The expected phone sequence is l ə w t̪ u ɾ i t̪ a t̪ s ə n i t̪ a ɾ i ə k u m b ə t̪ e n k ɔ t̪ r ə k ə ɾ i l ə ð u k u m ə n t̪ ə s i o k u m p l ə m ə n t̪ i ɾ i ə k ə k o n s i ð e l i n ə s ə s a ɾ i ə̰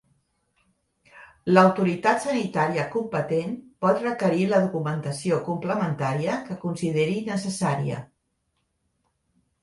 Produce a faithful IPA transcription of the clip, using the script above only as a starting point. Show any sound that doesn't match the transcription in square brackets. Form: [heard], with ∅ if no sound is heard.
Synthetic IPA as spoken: l ə w t̪ u ɾ i t̪ a t̪ s ə n i t̪ a ɾ i ə k u m [p] ə t̪ e n [p] ɔ t̪ r ə k ə ɾ i l ə ð u k u m ə n t̪ ə s i o k u m p l ə m ə n t̪ [a] ɾ i ə k ə k [u] n s i ð e [ɾ] i n ə s ə s a ɾ i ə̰